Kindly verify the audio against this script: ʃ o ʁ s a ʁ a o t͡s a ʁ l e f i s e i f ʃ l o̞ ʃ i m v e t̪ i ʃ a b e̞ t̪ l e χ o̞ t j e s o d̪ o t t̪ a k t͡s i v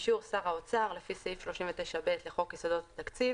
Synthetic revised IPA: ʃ u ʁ s a ʁ a o t͡s a ʁ l e f i s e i f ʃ l o̞ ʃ i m v e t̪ e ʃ a b e̞ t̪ l e χ o̞ k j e s o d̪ o t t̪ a k t͡s i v

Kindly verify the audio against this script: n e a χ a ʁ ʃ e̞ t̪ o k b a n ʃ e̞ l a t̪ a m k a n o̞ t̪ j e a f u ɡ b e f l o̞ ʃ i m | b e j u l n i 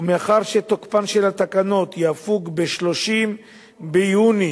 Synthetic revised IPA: m e a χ a ʁ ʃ e̞ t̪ o k p a n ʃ e̞ l a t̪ a k a n o̞ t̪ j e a f u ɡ b e ʃ l o̞ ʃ i m | b e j u n i

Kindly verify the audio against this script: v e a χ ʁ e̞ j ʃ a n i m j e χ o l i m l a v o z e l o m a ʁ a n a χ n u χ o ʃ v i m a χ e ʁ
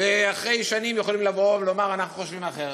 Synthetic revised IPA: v e a χ ʁ e̞ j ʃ a n i m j e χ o l i m l a v o v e l o m a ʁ a n a χ n u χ o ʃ v i m a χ e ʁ

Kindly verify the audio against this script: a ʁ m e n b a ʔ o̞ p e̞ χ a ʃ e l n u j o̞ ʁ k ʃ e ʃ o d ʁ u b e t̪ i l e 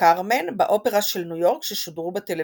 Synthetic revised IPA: a ʁ m e n b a ʔ o̞ p e̞ ʁ a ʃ e l n u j o̞ ʁ k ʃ e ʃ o d ʁ u b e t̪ e l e

